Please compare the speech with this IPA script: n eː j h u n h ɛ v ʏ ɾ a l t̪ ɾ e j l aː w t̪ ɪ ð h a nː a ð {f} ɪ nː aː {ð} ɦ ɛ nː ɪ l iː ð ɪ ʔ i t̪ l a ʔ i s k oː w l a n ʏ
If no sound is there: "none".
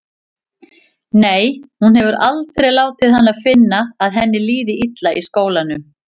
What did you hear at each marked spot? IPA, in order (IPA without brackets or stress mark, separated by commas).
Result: f, ð